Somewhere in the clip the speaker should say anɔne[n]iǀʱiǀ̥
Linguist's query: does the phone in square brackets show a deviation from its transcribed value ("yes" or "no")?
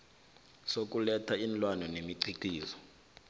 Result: yes